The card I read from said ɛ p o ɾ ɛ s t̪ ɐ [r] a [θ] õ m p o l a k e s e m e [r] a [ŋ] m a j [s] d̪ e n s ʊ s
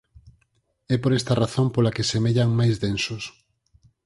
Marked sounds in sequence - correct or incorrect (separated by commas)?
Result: correct, correct, incorrect, correct, incorrect